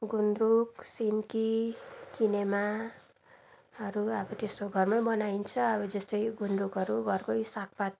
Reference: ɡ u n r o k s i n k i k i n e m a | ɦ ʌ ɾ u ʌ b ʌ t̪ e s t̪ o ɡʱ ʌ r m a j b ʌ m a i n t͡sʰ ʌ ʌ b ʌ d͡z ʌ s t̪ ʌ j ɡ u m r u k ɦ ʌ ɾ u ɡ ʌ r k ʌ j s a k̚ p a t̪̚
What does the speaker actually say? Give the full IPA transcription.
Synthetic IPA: ɡ u n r u k s i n k i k i n e m a | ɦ ʌ ɾ u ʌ b ʌ t̪ e s t̪ o ɡʱ ʌ r m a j b ʌ n a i n t͡sʰ ʌ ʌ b ʌ d͡z ʌ s t̪ ʌ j ɡ u n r u k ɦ ʌ ɾ u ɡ ʌ r k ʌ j s a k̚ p a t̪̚

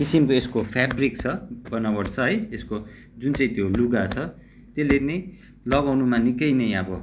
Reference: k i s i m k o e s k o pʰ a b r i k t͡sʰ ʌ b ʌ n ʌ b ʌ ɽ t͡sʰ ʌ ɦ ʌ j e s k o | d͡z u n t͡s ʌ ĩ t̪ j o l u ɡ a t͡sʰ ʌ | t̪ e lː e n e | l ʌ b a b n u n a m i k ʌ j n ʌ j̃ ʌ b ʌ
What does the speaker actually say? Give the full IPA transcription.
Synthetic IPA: k i s i m k o e s k o pʰ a b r i k t͡sʰ ʌ b ʌ n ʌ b ʌ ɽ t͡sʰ ʌ ɦ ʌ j e s k o | d͡z u n t͡s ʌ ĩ t̪ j o l u ɡ a t͡sʰ ʌ | t̪ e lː e n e | l ʌ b a w n u m a n i k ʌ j n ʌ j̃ ʌ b ʌ

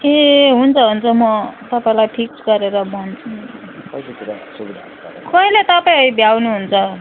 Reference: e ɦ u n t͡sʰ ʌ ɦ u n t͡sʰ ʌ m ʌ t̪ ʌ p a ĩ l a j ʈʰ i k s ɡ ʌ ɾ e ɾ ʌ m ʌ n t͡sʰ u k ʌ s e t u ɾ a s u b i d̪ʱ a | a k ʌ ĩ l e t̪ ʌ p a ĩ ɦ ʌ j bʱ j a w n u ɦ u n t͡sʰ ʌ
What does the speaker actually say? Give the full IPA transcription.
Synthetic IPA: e ɦ u n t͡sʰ ʌ ɦ u n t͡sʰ ʌ m ʌ t̪ ʌ p a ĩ l a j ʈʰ i k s ɡ ʌ ɾ e ɾ ʌ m ʌ n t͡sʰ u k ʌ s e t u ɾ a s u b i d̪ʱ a | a k ʌ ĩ l e t̪ ʌ p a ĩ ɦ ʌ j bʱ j a w n u ɦ u n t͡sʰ ʌ

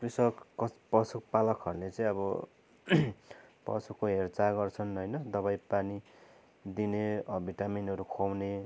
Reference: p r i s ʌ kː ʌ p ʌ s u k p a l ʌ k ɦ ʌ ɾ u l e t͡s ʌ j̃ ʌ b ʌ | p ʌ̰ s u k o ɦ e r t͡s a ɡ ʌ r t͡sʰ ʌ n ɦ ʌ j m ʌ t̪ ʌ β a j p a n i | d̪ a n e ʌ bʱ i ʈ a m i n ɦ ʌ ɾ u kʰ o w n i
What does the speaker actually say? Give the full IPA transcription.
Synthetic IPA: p r i s ʌ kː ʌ p ʌ s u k p a l ʌ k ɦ ʌ ɾ u l e t͡s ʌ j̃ ʌ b ʌ | p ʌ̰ s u k o ɦ e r t͡s a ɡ ʌ r t͡sʰ ʌ n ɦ ʌ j n ʌ d̪ ʌ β a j p a n i | d̪ i n e ʌ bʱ i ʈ a m i n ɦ ʌ ɾ u kʰ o w n e

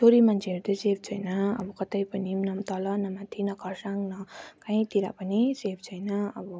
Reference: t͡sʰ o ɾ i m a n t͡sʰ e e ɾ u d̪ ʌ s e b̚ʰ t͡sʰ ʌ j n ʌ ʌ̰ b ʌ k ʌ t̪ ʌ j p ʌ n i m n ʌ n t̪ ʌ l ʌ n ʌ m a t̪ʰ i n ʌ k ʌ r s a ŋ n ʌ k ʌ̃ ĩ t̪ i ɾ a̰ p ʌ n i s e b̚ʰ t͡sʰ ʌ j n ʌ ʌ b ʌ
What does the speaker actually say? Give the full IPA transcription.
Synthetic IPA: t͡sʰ o ɾ i m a n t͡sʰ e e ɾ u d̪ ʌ s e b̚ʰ t͡sʰ ʌ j n ʌ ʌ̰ b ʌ k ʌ t̪ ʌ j p ʌ n i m n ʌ m t̪ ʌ l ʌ n ʌ m a t̪ʰ i n ʌ k ʌ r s a ŋ n ʌ k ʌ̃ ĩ t̪ i ɾ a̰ p ʌ n i s e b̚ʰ t͡sʰ ʌ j n ʌ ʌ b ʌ

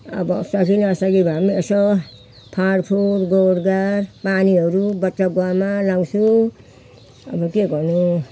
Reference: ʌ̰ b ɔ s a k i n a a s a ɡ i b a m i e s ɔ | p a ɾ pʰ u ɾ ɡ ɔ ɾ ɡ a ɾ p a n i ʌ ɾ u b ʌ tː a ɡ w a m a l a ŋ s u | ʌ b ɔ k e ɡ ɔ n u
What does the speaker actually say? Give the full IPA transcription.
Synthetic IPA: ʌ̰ b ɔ s a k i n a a s a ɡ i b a m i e s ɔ | pʰ a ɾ pʰ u ɾ ɡ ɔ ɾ ɡ a ɾ p a n i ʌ ɾ u b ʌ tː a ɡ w a m a l a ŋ s u | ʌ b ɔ k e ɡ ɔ n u

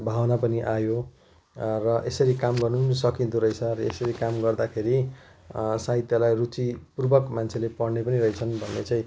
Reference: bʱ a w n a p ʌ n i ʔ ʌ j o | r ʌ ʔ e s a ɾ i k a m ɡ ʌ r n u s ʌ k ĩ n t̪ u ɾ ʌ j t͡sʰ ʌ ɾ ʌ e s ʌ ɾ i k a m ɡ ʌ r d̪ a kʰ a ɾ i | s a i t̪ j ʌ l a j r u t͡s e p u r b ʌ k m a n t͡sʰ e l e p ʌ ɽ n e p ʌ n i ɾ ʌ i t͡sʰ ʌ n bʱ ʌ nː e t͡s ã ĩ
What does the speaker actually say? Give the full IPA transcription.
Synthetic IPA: bʱ a w n a p ʌ n i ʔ a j o | r ʌ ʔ e s ʌ ɾ i k a m ɡ ʌ r n u s ʌ k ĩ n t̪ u ɾ ʌ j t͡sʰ ʌ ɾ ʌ e s ʌ ɾ i k a m ɡ ʌ r d̪ a kʰ e ɾ i | s a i t̪ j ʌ l a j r u t͡s i p u r b ʌ k m a n t͡sʰ e l e p ʌ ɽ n e p ʌ n i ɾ ʌ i t͡sʰ ʌ n bʱ ʌ nː e t͡s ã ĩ

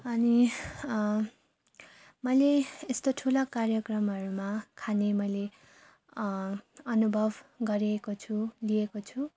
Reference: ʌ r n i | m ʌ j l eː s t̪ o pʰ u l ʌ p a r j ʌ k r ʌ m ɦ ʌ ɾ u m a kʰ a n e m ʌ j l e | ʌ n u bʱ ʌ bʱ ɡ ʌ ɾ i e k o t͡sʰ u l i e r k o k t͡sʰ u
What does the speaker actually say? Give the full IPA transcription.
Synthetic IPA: ʌ n i | m ʌ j l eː s t̪ o ʈʰ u l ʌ k a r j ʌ k r ʌ m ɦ ʌ ɾ u m a kʰ a n e m ʌ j l e | ʌ n u bʱ ʌ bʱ ɡ ʌ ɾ i e k o t͡sʰ u l i e k o t͡sʰ u

